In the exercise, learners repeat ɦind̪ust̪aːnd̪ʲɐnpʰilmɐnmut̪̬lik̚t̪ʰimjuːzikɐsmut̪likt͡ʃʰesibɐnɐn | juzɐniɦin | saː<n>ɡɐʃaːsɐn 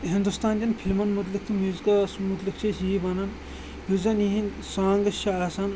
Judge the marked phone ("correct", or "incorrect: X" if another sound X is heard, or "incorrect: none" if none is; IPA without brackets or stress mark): incorrect: ŋ